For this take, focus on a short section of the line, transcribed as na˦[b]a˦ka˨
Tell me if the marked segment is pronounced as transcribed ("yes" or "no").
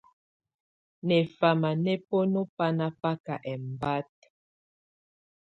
no